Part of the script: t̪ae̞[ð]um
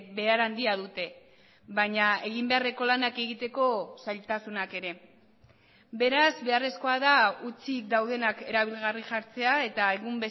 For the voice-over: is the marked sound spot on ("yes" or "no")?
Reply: no